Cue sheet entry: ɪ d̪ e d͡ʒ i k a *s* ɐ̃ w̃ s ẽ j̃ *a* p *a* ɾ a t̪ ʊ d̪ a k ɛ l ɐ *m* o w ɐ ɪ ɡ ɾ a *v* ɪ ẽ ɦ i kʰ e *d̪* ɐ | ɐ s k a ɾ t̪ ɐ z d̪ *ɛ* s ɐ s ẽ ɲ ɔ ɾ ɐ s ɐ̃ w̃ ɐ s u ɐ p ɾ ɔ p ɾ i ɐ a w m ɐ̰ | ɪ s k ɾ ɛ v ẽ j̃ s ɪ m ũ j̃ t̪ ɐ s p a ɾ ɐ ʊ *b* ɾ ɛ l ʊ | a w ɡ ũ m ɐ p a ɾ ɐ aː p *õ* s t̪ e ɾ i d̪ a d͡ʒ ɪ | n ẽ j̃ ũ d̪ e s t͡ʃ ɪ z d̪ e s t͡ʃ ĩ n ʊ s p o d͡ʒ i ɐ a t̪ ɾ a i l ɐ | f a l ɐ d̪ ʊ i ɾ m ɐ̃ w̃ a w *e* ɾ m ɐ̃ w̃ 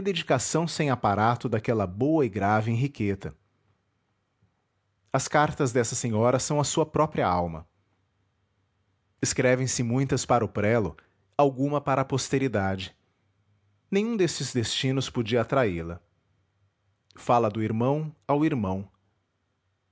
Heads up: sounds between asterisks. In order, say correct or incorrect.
correct, correct, correct, incorrect, correct, incorrect, correct, incorrect, incorrect, incorrect

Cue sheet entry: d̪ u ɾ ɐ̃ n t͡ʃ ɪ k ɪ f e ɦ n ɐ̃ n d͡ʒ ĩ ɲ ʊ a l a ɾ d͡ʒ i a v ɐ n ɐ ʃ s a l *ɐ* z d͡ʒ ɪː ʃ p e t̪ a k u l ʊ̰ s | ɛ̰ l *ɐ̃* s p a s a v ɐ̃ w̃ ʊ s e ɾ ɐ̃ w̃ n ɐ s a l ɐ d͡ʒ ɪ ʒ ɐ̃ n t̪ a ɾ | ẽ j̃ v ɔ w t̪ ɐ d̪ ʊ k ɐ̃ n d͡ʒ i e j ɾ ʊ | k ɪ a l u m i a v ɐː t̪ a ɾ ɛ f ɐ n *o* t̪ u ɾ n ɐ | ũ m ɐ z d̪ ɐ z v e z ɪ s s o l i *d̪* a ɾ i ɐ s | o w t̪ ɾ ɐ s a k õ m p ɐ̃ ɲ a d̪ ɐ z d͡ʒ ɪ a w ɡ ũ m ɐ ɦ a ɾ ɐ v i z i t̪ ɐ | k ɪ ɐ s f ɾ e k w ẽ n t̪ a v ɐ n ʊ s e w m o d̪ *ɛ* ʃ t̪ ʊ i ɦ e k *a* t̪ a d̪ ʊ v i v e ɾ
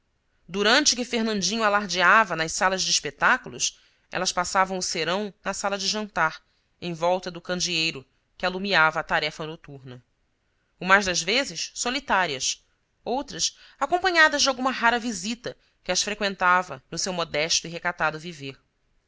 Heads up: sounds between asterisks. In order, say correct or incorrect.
correct, incorrect, correct, incorrect, correct, correct

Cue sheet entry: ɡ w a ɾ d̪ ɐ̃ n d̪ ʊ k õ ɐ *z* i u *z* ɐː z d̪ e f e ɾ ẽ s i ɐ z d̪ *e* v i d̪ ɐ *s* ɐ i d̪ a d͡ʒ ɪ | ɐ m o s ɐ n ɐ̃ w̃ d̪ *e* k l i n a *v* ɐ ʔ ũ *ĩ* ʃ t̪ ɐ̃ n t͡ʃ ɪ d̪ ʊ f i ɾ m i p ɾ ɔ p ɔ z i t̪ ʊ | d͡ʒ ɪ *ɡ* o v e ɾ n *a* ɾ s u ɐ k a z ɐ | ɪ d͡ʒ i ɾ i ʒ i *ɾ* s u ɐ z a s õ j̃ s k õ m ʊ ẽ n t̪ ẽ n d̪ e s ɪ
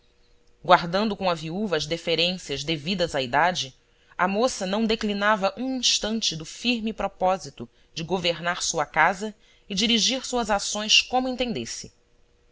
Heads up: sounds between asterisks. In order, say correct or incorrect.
incorrect, incorrect, correct, incorrect, correct, correct, correct, correct, correct, correct

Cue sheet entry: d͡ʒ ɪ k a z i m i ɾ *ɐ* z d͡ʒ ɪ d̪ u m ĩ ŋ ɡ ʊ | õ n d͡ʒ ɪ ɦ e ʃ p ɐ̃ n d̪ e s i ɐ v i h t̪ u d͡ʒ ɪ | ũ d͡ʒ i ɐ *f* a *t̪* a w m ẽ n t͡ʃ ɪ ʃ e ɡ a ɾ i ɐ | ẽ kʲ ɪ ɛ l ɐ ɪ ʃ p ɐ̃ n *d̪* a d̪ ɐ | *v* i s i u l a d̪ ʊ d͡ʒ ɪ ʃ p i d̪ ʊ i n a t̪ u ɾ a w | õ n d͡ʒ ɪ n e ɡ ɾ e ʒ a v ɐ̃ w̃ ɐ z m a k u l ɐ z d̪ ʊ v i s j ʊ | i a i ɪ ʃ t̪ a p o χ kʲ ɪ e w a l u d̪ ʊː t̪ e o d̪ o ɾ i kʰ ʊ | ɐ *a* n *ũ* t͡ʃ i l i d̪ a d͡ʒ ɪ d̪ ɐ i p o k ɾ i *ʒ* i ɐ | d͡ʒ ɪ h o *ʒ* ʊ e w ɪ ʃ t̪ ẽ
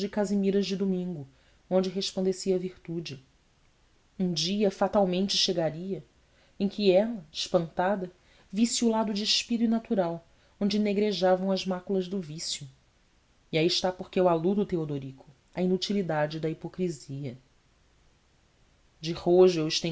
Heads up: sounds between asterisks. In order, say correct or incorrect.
correct, correct, correct, incorrect, correct, incorrect, incorrect, incorrect, correct

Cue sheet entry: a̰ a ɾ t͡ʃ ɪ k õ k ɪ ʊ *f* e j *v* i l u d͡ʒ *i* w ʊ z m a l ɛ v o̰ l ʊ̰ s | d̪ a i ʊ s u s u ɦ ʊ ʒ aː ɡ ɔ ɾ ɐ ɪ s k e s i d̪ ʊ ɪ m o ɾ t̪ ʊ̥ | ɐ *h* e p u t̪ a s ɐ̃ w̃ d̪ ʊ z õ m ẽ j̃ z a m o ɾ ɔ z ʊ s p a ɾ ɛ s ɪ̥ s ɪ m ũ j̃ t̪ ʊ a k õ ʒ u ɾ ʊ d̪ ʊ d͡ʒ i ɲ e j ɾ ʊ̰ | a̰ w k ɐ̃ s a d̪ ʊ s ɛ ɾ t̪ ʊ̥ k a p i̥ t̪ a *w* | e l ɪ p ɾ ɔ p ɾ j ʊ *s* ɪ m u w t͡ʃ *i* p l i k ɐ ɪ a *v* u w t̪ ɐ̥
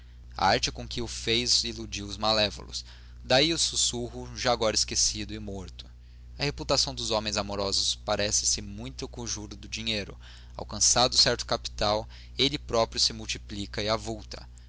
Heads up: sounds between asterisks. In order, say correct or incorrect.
correct, incorrect, correct, correct, correct, correct, correct, correct

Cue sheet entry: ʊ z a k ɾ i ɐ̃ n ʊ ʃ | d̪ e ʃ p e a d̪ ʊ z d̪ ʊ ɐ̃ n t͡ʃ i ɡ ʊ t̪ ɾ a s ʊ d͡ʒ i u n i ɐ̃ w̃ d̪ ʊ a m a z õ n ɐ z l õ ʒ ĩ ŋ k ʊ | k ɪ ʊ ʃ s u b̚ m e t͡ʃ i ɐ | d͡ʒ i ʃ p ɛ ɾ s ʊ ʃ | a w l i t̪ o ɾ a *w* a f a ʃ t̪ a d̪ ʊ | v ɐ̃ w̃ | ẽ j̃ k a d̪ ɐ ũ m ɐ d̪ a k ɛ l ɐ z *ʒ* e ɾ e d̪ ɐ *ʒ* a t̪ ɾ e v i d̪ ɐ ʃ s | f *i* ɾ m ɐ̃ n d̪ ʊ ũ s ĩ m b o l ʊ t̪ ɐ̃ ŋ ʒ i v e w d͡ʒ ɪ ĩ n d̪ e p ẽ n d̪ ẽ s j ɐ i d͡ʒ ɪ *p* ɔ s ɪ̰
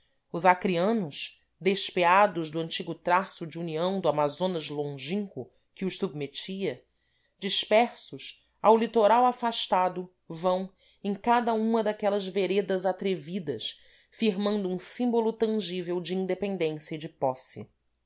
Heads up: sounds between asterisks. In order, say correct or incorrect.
correct, incorrect, incorrect, correct, correct

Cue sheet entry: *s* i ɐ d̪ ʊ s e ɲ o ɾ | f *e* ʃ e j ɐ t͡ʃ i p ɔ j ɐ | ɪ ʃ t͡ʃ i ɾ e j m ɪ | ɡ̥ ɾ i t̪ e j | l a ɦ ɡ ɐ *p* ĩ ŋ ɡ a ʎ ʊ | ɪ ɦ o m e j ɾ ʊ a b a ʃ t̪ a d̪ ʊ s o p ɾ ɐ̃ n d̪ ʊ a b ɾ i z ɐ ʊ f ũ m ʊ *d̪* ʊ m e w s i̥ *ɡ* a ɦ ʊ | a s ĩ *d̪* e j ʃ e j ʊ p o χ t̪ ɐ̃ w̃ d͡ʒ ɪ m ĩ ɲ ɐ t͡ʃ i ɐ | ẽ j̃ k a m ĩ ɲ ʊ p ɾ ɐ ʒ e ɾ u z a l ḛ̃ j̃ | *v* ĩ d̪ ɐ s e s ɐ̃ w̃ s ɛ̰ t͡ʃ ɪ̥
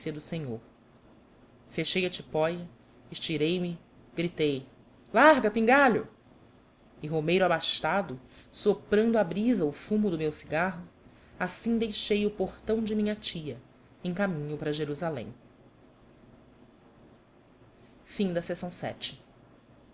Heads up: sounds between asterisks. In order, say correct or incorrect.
correct, correct, correct, correct, correct, correct, incorrect

